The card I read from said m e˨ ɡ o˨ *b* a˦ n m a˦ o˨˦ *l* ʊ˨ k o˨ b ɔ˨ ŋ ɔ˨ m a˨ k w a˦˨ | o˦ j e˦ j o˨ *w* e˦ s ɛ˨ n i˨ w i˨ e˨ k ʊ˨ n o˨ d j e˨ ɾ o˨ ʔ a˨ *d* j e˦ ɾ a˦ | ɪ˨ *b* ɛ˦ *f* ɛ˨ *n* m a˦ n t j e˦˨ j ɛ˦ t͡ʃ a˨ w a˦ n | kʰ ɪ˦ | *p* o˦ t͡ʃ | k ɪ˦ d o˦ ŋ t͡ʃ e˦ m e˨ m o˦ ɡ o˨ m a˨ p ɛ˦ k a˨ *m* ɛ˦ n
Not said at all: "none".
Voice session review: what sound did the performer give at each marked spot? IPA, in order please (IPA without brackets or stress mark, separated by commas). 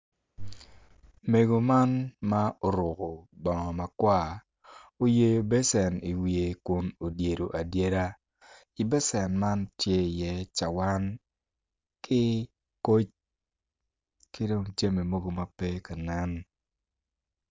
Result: m, ɾ, b, d, b, s, n, k, n